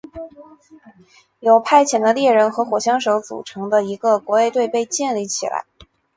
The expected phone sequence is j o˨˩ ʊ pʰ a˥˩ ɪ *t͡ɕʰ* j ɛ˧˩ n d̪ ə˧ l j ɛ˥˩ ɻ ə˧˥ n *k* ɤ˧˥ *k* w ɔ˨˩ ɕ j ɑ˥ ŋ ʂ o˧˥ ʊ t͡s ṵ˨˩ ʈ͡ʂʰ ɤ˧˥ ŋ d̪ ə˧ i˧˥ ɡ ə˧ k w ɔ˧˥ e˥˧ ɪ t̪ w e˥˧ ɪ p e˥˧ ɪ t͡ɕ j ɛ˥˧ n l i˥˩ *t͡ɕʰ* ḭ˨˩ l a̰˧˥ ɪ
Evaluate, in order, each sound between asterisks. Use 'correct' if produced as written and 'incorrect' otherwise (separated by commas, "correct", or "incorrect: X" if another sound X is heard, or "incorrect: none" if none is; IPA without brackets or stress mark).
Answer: correct, incorrect: x, incorrect: x, correct